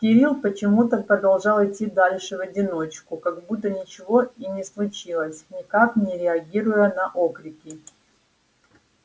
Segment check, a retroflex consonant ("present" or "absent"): present